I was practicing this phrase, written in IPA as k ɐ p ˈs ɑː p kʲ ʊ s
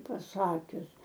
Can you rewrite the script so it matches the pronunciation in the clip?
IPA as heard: p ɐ ˈs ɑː kʲ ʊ s